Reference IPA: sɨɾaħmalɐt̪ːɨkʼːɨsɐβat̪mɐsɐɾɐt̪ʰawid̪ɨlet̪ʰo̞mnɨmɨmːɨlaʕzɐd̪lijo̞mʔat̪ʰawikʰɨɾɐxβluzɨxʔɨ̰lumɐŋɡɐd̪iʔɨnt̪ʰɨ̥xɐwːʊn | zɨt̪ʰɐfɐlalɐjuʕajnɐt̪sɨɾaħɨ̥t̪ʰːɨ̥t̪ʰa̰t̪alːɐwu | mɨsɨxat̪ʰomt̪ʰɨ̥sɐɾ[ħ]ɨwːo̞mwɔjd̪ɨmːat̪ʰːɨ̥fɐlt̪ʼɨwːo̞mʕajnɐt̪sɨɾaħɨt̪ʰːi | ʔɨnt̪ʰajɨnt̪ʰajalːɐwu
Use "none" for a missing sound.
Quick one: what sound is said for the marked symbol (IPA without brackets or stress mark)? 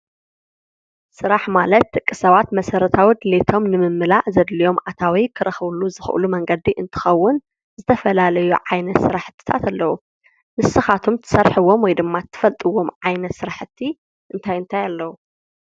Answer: ħ